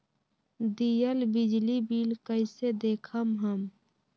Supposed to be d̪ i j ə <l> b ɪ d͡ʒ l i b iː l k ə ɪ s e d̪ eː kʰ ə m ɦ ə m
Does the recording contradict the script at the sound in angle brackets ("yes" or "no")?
no